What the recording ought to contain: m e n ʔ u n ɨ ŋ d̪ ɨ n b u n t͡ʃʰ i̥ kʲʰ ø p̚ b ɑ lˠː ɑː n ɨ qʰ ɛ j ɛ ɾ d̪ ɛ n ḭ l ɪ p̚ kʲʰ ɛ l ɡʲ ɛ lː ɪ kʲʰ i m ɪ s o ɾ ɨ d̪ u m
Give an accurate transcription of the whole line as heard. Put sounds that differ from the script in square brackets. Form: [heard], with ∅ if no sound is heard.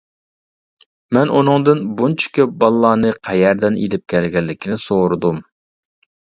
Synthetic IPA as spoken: m [ɛ] n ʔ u n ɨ ŋ d̪ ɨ n b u n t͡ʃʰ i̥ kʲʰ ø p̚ b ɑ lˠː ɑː n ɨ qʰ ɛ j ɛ ɾ d̪ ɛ n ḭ l ɪ p̚ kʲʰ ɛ l ɡʲ ɛ lː ɪ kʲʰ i [n] ɪ s o ɾ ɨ d̪ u m